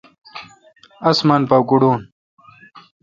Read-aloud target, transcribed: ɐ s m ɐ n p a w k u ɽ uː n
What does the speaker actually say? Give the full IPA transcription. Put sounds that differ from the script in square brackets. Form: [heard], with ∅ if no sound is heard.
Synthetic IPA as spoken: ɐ s m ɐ n p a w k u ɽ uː n